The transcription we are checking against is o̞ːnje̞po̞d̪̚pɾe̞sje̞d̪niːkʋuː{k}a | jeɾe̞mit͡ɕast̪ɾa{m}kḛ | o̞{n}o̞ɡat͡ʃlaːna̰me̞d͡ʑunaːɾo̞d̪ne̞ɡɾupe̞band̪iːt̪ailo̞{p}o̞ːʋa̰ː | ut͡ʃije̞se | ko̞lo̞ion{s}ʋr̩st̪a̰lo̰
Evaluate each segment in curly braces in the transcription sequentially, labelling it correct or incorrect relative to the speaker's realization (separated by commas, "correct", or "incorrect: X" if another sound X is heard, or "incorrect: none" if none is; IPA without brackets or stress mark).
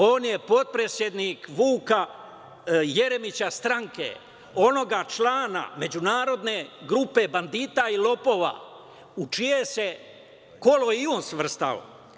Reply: correct, incorrect: ŋ, correct, correct, correct